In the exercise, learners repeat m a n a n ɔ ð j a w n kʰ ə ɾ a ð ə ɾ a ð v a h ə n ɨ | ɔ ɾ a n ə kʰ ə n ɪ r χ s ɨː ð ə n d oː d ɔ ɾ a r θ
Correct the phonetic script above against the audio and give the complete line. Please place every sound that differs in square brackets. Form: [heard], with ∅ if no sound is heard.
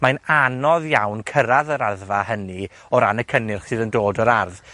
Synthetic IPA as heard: m a n a n ɔ ð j a w n kʰ ə ɾ a ð ə ɾ a ð v a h ə n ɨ | ɔ ɾ a n ə kʰ ə n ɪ r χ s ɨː ð ə n d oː d ɔ ɾ a r [ð]